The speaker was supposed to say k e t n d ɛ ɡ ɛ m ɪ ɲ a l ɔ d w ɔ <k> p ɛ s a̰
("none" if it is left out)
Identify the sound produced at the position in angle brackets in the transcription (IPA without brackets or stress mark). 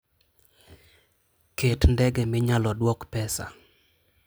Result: k